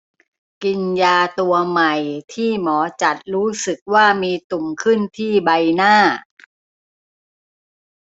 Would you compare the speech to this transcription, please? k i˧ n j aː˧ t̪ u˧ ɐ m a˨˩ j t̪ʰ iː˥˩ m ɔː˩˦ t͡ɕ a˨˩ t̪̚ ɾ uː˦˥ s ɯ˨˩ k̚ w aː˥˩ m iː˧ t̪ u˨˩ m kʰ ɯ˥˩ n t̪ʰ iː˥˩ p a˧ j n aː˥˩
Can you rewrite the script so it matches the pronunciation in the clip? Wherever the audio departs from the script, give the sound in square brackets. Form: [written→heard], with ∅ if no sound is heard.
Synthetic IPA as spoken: k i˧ n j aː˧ t̪ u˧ ɐ m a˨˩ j t̪ʰ iː˥˩ m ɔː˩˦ t͡ɕ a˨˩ t̪̚ ɾ uː˦˥ s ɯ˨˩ k̚ w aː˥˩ m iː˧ t̪ u˨˩ m kʰ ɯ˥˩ n t̪ʰ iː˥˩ [p→b] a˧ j n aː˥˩